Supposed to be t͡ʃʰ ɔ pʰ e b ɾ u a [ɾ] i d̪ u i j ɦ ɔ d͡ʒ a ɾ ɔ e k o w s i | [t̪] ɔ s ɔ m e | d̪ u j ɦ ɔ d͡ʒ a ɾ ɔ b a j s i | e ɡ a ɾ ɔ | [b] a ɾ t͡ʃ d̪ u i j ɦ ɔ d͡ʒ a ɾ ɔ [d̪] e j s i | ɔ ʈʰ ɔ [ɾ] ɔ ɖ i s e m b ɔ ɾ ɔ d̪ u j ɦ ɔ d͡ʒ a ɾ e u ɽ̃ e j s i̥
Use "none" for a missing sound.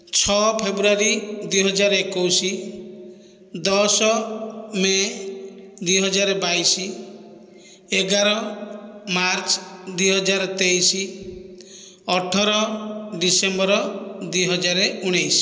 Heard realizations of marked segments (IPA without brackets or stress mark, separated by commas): ɾ, d̪, m, t̪, ɾ